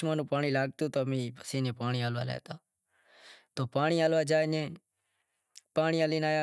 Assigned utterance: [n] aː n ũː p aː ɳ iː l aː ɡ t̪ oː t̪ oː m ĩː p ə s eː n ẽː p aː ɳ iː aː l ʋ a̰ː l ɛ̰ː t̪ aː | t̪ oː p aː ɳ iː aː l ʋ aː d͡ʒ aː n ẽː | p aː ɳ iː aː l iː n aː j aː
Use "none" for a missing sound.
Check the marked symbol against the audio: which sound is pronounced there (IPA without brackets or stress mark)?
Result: m